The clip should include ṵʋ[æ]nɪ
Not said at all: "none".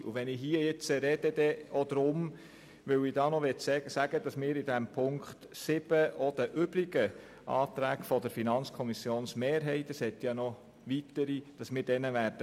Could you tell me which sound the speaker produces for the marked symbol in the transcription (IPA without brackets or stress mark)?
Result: ɛ